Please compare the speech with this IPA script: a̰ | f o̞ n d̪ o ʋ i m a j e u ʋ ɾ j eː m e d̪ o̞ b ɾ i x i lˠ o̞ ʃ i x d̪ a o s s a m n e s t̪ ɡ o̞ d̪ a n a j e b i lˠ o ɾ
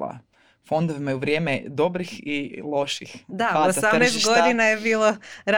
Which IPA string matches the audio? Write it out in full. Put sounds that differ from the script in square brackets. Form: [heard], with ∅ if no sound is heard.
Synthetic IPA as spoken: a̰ | f o̞ n d̪ o ʋ i m a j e u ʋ ɾ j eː m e d̪ o̞ b ɾ i x i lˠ o̞ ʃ i x d̪ a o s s a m n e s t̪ ɡ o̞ d̪ [i] n a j e b [iː] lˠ o ɾ